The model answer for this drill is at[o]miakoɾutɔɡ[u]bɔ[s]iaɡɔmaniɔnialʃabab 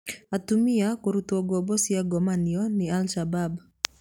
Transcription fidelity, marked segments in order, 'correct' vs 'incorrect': incorrect: u, incorrect: ɔ, correct

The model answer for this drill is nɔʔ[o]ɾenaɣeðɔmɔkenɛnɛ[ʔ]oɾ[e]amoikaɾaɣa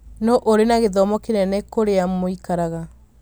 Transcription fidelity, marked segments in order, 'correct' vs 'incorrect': correct, incorrect: k, correct

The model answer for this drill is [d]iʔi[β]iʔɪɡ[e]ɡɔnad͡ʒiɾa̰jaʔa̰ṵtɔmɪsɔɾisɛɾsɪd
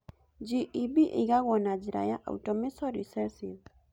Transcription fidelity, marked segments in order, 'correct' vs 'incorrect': incorrect: d͡ʒ, incorrect: b, incorrect: a

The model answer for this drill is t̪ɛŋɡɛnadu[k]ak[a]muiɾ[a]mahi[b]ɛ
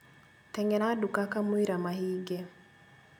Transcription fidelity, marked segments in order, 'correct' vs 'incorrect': correct, correct, correct, incorrect: ɡ

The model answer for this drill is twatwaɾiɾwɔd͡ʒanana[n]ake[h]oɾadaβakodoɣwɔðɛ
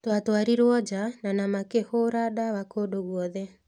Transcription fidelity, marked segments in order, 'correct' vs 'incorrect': incorrect: m, correct

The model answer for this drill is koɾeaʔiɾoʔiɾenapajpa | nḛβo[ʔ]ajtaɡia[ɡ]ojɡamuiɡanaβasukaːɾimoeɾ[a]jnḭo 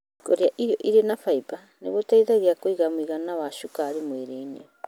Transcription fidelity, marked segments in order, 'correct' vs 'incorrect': incorrect: t, incorrect: k, incorrect: e

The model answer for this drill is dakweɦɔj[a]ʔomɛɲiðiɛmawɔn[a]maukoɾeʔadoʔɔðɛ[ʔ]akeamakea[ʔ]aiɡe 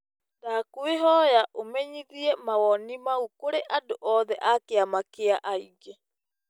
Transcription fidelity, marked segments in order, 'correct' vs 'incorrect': correct, incorrect: i, correct, correct

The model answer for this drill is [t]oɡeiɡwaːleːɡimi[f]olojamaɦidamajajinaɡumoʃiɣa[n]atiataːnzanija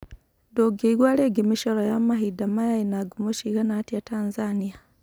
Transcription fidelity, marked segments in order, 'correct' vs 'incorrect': incorrect: d, incorrect: ʃ, correct

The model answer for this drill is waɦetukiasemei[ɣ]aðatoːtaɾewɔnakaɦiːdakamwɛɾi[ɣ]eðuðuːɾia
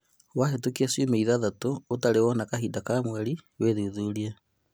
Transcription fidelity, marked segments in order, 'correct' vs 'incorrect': incorrect: ð, incorrect: w

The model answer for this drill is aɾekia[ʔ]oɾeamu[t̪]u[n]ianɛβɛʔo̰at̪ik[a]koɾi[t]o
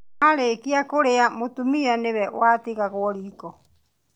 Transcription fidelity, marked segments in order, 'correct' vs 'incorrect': incorrect: k, correct, incorrect: m, correct, incorrect: k

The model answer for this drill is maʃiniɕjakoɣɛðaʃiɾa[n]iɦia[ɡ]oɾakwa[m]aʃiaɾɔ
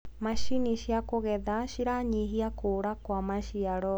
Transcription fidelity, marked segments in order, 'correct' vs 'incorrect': incorrect: ɲ, incorrect: k, correct

